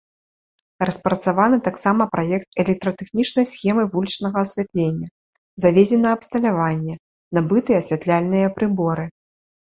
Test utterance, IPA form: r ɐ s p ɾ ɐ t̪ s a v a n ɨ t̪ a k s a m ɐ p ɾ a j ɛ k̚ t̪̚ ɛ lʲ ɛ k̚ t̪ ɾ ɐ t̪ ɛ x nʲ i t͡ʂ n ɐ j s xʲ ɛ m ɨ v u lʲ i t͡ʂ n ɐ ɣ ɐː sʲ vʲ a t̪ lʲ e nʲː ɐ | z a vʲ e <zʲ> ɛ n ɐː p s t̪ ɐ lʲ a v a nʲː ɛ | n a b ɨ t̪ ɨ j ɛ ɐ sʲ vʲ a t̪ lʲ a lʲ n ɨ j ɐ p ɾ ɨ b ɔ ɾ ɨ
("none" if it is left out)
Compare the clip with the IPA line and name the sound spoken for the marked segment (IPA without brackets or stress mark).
zʲ